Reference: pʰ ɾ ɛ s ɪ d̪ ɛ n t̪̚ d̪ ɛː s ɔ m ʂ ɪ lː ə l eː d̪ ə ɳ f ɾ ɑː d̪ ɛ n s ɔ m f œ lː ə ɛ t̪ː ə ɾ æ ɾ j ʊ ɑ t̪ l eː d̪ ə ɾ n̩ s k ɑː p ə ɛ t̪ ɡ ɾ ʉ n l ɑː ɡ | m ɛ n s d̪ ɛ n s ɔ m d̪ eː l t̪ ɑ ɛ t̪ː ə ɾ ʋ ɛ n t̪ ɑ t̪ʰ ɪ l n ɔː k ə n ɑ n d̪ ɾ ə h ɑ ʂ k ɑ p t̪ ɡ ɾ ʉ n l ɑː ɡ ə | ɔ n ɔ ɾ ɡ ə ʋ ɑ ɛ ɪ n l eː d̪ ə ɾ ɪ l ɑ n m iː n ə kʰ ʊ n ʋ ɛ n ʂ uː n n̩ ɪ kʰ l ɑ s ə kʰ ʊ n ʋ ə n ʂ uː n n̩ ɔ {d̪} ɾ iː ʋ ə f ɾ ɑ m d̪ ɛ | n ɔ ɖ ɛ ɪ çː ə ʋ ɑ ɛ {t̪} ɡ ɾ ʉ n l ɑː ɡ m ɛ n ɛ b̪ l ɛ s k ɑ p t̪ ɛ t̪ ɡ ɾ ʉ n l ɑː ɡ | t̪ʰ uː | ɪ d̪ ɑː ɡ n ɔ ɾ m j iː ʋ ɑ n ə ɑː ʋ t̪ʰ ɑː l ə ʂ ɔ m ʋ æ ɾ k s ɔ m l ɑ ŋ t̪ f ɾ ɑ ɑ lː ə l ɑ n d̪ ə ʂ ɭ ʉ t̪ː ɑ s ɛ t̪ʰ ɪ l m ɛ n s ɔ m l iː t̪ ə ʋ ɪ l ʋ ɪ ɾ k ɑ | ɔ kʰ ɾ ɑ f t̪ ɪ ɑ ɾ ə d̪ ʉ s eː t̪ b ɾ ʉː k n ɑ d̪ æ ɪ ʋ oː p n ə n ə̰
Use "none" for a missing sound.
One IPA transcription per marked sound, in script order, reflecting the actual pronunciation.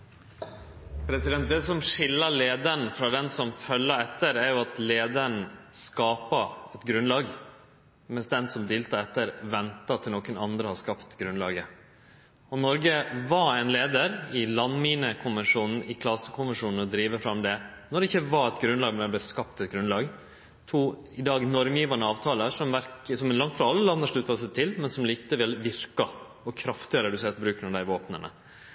d̪, t̪

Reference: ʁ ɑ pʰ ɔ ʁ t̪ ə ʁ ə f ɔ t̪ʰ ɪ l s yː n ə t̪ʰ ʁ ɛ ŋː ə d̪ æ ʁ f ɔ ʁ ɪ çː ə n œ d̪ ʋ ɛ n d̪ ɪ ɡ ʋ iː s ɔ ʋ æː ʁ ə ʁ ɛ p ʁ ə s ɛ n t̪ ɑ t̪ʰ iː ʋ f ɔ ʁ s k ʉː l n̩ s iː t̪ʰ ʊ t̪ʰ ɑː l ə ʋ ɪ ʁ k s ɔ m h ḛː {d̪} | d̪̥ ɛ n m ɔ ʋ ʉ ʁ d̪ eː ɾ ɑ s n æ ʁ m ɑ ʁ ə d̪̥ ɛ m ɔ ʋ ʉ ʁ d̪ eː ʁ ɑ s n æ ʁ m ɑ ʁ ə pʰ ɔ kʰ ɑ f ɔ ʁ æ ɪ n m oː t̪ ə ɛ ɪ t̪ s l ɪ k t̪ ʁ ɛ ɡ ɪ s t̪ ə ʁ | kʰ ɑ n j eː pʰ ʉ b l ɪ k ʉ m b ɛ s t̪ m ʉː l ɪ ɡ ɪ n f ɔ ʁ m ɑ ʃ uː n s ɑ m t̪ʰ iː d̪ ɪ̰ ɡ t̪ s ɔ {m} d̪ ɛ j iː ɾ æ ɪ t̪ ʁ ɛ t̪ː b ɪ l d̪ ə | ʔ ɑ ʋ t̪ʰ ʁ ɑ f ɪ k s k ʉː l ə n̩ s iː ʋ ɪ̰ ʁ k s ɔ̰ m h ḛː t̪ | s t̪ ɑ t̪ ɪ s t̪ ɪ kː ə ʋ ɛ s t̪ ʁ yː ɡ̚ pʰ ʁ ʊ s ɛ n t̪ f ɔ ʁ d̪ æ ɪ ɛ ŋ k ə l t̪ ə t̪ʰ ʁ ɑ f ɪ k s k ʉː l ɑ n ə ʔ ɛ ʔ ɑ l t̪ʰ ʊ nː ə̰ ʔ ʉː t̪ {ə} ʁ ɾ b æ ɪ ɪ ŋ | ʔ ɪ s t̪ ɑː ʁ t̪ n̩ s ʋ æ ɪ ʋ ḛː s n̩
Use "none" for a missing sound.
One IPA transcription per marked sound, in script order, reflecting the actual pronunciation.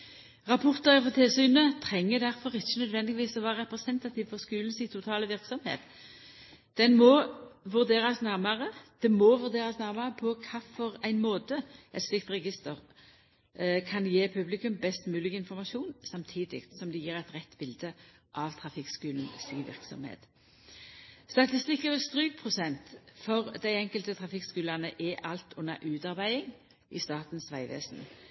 t̪, m, ɑ

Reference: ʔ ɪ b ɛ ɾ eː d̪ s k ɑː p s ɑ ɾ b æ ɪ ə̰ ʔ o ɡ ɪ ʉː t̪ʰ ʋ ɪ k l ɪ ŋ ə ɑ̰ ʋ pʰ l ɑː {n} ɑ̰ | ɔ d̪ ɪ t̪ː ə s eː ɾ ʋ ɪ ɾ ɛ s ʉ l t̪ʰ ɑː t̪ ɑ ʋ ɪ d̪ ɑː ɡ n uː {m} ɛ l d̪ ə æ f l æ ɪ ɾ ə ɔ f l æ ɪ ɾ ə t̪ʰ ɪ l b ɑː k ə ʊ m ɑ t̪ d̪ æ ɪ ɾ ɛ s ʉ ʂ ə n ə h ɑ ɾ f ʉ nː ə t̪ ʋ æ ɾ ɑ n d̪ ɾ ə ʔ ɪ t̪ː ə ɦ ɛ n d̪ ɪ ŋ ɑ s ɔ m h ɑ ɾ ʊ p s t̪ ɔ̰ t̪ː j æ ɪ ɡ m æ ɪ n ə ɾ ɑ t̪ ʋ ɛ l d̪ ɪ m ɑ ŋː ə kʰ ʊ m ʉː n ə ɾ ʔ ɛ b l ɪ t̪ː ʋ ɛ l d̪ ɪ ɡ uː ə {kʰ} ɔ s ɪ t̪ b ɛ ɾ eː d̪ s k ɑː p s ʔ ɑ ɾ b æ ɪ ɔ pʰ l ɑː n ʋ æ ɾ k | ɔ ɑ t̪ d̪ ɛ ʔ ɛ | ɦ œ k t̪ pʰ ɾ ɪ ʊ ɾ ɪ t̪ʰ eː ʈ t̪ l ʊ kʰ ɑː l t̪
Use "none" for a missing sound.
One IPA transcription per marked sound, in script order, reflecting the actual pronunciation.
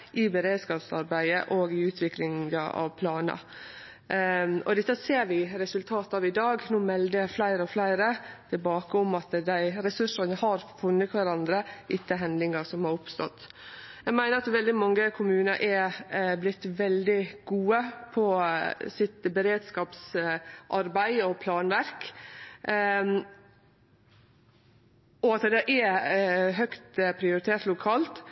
n, m, pʰ

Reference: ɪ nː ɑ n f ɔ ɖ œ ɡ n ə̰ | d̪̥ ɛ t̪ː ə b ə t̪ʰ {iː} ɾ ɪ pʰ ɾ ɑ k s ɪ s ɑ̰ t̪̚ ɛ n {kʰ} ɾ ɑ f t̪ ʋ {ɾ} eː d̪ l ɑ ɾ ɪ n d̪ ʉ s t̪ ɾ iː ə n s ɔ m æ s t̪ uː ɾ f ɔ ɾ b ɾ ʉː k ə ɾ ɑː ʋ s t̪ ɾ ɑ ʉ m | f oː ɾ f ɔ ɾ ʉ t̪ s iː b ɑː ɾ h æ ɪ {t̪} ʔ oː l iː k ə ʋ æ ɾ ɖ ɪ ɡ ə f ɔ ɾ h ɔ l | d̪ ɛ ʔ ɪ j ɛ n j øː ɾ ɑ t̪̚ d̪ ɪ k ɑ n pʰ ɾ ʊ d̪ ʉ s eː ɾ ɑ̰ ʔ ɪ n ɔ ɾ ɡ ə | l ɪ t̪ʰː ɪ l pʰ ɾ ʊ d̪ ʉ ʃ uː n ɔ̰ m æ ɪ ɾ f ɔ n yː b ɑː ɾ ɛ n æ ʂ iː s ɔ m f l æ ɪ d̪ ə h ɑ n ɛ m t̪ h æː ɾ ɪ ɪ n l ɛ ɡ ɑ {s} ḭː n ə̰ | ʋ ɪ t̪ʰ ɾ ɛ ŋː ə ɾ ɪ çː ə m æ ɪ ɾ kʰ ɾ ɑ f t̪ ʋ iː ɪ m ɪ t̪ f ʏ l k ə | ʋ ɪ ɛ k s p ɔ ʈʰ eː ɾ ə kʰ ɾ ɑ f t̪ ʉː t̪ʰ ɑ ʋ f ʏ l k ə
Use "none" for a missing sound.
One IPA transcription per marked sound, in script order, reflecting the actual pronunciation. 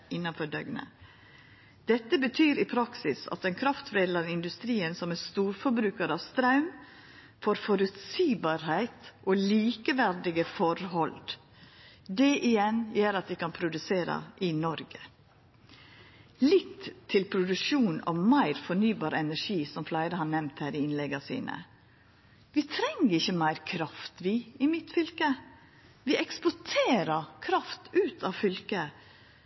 yː, kʰ, ɾ, t̪, s

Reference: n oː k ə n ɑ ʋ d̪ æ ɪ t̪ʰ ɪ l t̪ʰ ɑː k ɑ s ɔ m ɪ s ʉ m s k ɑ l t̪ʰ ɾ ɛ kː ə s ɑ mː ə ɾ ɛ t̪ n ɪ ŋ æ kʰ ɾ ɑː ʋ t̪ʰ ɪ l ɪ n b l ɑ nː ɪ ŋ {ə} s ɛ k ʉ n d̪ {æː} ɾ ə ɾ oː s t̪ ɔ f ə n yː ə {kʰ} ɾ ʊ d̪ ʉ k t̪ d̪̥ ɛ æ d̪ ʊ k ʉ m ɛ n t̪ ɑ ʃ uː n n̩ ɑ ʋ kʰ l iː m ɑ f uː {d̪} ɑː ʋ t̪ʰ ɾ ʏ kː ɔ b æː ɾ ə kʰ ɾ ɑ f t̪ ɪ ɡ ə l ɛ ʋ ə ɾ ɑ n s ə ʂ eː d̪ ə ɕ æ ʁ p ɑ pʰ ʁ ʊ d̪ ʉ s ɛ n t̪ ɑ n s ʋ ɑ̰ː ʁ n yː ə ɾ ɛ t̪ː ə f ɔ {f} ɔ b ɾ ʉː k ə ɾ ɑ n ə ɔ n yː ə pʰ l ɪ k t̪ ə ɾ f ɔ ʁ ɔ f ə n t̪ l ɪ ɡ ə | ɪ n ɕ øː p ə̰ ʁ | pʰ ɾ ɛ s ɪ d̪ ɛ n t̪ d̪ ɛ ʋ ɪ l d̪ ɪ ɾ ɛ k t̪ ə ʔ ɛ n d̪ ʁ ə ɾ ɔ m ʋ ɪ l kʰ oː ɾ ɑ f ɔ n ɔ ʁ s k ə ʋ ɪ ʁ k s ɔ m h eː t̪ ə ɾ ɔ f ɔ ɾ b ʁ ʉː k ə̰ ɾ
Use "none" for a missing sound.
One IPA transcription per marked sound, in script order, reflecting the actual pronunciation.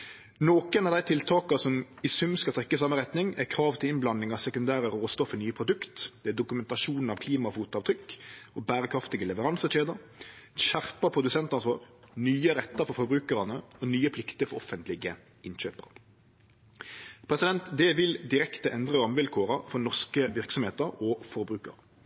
ɑ, æː, pʰ, t̪, f

